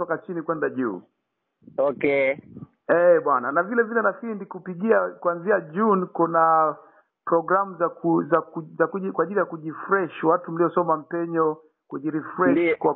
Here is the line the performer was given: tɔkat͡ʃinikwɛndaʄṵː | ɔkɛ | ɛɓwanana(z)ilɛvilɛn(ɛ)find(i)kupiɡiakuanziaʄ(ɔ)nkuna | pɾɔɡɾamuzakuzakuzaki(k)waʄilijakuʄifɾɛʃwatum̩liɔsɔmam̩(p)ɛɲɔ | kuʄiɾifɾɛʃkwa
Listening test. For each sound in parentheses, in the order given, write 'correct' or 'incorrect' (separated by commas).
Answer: incorrect, incorrect, correct, incorrect, correct, correct